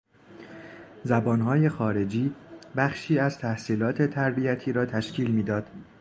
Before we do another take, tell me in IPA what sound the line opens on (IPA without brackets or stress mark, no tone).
z